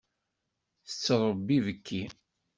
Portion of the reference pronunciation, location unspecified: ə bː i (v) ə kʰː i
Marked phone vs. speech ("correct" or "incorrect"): correct